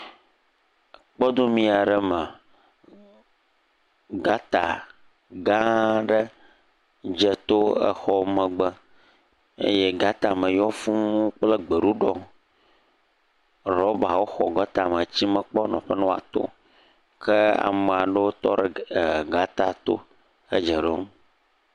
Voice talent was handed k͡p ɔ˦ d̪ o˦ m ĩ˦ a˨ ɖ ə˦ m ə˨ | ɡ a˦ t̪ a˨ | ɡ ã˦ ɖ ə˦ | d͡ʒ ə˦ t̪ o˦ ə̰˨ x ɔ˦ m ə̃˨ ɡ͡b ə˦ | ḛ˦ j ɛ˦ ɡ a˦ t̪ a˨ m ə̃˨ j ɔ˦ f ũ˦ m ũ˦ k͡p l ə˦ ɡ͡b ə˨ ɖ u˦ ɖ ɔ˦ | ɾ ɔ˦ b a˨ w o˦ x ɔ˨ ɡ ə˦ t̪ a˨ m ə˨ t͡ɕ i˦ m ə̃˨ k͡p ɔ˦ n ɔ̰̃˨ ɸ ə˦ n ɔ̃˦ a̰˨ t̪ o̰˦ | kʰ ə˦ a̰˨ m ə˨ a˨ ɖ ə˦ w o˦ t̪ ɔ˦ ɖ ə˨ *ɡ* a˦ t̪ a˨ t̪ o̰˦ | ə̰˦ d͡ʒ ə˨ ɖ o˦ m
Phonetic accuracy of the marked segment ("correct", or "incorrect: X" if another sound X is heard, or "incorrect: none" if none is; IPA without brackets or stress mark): correct